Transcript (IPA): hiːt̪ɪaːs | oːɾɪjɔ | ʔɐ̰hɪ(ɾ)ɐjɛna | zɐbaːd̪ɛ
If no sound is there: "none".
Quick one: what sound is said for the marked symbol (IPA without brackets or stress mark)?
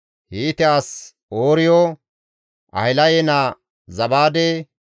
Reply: l